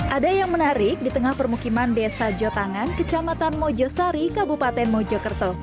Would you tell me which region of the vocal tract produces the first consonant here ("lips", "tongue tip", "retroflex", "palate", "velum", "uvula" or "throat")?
throat